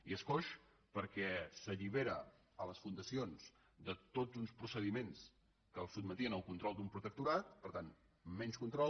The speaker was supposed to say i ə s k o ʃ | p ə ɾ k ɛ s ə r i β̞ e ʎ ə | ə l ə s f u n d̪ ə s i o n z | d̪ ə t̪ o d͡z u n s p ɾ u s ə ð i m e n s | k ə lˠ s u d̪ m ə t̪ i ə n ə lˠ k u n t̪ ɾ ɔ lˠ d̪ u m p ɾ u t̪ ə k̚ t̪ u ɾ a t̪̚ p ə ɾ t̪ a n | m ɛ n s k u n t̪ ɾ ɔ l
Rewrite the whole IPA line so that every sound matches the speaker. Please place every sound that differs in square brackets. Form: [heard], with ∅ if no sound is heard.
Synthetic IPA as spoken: i ə s k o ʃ | p ə ɾ k ɛ s ə [ʎ] i β̞ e [ɾ] ə | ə l ə s f u n d̪ ə s i o n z | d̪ ə t̪ o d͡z u n s p ɾ u s ə ð i m e n s | k ə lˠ s u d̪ m ə t̪ i ə n ə lˠ k u n t̪ ɾ ɔ lˠ d̪ u m p ɾ u t̪ ə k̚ t̪ u ɾ a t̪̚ p ə ɾ t̪ a n | m ɛ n s k u n t̪ ɾ ɔ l